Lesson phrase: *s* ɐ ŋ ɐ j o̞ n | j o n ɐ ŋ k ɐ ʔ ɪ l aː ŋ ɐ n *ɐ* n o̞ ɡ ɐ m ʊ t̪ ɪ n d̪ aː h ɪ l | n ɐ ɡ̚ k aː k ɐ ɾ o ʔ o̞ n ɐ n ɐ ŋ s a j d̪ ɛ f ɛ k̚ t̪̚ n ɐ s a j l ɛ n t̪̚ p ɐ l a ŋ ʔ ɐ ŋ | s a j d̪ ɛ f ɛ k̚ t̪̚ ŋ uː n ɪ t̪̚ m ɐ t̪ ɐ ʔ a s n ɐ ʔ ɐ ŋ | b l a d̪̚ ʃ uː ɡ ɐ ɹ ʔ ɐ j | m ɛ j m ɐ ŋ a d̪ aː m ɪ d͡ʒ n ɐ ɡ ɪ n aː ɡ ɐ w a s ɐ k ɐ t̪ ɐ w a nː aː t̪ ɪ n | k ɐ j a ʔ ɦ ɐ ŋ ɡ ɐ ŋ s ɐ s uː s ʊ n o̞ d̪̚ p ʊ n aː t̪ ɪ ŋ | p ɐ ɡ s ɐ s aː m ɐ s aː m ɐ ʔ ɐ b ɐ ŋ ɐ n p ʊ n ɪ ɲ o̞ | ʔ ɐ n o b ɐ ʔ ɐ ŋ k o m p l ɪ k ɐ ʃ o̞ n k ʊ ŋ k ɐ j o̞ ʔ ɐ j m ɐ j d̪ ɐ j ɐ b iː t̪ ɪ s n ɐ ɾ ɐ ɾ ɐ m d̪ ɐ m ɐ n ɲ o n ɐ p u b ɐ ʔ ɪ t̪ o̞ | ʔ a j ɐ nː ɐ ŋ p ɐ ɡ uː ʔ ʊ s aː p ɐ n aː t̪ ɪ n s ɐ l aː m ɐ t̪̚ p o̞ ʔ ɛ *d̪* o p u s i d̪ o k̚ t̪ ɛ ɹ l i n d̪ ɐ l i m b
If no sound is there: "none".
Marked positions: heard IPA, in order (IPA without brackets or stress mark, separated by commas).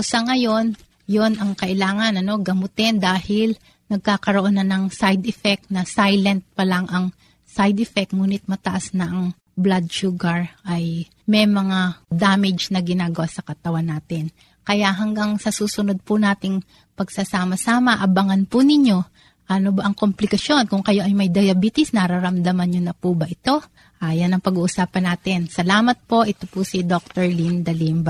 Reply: s, ɐ, t̪